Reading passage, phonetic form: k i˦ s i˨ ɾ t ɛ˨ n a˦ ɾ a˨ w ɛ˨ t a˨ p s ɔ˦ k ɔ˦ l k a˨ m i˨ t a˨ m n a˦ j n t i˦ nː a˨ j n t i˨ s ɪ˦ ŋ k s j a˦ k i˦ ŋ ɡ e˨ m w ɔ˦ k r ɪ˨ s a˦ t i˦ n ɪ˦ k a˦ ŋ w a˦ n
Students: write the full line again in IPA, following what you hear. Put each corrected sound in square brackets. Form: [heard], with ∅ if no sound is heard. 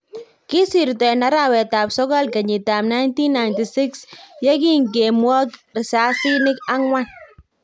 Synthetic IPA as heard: k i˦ s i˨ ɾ t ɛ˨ n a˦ ɾ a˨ w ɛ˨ t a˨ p s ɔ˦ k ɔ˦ l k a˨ [ɲ] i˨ t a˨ m n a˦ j n t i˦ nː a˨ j n t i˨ s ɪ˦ [∅] k s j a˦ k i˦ ŋ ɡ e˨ m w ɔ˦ k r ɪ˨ s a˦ [s] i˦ n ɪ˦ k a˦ ŋ w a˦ n